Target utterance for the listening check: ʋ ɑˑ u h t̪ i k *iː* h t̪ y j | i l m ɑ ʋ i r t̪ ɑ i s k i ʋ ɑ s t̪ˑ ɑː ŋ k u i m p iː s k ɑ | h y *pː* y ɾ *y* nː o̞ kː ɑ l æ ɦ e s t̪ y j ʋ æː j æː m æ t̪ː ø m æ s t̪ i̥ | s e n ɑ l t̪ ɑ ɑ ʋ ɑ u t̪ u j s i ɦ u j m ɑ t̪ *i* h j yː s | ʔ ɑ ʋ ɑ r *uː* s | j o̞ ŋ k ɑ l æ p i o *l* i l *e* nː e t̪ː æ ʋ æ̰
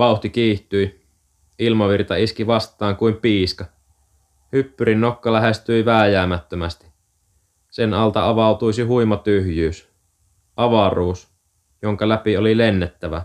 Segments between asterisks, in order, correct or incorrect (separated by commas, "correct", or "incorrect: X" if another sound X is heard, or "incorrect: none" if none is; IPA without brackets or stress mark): correct, correct, incorrect: i, incorrect: y, correct, correct, correct